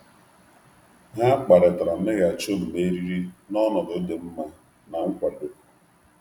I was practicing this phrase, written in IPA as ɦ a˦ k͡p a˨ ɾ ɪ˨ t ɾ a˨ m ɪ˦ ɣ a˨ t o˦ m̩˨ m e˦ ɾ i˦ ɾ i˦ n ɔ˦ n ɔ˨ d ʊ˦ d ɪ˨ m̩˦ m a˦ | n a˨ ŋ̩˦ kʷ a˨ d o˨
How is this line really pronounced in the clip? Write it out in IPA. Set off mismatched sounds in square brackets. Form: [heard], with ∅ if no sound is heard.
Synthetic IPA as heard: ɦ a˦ k͡p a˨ ɾ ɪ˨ t ɾ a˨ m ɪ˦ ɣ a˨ [t͡ʃ] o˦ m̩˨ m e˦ ɾ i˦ ɾ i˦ n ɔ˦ n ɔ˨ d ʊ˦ d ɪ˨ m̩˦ m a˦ | n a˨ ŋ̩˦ kʷ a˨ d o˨